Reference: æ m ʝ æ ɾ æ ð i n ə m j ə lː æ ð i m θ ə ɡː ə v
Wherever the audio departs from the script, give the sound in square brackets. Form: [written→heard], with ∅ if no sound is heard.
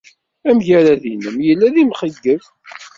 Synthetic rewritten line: æ m ʝ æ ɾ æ ð i n ə m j ə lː æ ð i m [θ→χ] ə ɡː ə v